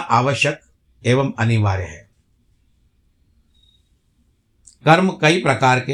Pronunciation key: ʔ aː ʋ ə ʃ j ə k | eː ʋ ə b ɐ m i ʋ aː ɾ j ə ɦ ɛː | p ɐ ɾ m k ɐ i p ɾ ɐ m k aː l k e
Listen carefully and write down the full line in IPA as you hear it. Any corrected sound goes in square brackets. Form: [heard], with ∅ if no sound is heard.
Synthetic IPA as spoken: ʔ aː ʋ ə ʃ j ə k | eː ʋ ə [m] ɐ [n] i ʋ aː ɾ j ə ɦ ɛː | [k] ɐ ɾ m k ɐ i p ɾ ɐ [∅] k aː [ɾ] k e